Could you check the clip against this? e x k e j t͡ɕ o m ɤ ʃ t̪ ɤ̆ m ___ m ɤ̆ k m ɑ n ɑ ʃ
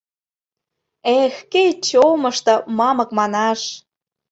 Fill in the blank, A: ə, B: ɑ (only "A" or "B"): B